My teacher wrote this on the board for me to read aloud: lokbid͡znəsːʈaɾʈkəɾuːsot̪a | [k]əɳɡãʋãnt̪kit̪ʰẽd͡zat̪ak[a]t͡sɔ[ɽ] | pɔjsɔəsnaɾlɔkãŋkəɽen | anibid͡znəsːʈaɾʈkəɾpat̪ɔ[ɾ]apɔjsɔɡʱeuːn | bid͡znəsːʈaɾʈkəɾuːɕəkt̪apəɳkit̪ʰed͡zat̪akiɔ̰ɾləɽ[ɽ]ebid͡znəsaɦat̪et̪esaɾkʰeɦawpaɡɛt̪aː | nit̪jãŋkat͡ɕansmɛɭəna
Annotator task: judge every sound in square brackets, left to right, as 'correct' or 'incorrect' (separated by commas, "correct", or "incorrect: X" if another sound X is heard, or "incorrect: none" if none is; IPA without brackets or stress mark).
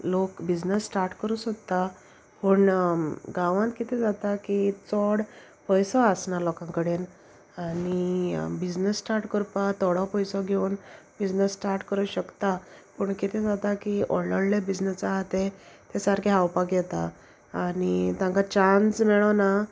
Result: incorrect: p, incorrect: i, correct, incorrect: ɽ, incorrect: l